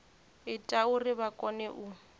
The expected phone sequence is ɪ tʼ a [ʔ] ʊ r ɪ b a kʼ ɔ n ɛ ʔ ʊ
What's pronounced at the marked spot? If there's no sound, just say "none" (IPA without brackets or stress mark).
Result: none